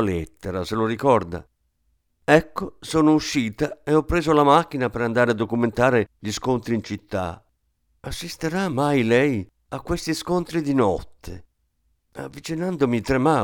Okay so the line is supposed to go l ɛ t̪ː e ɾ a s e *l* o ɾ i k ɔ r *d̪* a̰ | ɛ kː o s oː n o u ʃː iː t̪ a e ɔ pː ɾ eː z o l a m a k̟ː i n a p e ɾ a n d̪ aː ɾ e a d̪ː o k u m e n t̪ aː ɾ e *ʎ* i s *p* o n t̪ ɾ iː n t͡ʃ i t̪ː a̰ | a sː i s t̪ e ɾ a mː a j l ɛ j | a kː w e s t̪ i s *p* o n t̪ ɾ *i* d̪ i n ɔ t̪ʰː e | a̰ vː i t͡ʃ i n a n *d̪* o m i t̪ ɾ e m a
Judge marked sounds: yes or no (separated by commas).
yes, yes, yes, no, no, yes, yes